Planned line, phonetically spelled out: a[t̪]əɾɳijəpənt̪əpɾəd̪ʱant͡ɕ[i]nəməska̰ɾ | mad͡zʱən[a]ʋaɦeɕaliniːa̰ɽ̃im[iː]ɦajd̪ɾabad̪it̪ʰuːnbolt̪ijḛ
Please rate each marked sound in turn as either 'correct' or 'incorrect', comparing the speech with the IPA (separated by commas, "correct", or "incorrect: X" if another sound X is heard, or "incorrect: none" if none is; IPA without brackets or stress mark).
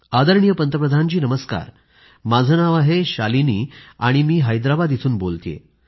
incorrect: d̪, incorrect: iː, correct, correct